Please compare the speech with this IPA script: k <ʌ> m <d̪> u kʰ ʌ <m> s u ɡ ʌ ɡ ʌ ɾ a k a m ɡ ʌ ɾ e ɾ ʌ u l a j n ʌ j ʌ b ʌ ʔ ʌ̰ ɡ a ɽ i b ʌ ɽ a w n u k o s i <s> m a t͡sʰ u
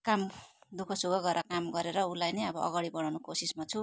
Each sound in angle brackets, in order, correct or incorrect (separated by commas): incorrect, correct, incorrect, correct